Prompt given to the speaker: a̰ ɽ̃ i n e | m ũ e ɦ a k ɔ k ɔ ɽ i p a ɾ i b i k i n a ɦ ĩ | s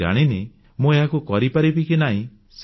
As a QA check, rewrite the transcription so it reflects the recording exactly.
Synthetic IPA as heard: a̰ ɽ̃ i n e | m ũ e ɦ a k u k ɔ ɾ i p a ɾ i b i k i n a ɦ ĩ | s